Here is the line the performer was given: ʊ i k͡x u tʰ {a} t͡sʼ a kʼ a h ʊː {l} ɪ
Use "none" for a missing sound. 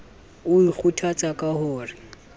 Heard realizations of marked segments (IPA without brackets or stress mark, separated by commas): a, r